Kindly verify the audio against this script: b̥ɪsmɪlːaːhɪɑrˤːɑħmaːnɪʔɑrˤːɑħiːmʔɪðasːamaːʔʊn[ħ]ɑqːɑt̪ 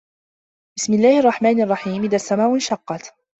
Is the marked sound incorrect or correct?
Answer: incorrect